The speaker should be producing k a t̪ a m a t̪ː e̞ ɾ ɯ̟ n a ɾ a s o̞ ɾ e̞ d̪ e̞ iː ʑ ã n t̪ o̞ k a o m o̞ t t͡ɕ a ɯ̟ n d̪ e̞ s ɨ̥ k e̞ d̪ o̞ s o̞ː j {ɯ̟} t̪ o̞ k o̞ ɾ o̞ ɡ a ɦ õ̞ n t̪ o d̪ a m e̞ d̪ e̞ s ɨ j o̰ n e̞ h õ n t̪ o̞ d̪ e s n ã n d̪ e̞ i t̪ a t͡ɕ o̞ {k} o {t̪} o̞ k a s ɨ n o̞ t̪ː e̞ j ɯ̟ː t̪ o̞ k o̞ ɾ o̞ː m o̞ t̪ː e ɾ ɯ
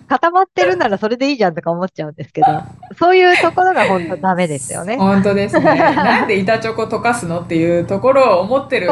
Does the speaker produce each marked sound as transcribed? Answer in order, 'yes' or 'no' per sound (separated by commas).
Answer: no, yes, yes